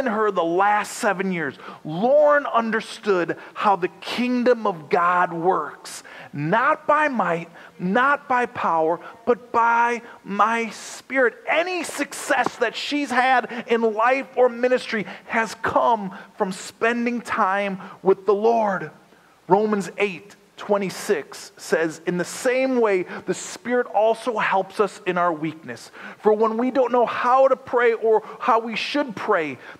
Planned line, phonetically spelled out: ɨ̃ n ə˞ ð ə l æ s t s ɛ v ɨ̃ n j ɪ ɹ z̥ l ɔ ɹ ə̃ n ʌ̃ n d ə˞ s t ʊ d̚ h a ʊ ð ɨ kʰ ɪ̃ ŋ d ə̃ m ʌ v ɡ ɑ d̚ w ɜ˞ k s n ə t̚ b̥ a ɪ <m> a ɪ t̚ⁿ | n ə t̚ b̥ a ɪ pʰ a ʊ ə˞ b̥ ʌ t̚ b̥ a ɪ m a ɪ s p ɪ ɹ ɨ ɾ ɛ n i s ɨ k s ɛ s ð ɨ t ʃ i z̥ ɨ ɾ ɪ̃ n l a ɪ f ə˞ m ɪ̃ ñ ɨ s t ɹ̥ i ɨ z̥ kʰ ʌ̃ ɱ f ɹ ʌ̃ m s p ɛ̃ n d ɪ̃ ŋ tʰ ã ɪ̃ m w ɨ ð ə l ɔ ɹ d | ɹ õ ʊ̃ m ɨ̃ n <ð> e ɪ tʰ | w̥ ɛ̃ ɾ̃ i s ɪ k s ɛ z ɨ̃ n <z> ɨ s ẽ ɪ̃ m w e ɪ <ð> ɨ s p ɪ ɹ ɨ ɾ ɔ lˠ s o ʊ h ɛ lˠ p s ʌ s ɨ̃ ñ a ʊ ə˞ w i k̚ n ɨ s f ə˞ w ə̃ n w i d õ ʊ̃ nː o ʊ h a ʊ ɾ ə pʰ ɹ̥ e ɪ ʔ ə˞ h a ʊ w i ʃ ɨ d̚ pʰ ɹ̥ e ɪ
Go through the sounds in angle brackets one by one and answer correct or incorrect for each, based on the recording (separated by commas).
correct, incorrect, incorrect, correct